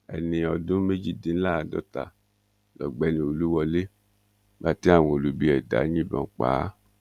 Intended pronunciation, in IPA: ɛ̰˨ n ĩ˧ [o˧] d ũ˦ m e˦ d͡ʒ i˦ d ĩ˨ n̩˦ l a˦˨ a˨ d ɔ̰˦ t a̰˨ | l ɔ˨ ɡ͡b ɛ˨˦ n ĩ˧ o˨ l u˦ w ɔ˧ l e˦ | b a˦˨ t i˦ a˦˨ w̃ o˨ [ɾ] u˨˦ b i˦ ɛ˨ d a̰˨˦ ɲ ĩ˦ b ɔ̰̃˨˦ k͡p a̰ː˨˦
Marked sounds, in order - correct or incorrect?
incorrect: ɔ˧, incorrect: l

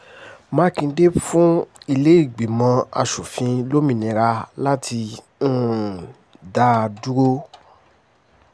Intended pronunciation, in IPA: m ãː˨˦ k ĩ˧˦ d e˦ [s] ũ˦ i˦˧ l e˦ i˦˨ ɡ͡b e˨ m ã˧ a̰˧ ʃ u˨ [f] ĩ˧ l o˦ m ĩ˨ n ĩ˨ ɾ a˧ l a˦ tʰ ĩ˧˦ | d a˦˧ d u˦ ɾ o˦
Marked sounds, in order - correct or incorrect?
incorrect: f, correct

